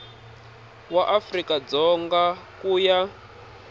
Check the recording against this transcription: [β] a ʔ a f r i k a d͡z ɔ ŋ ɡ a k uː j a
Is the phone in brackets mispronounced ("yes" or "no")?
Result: yes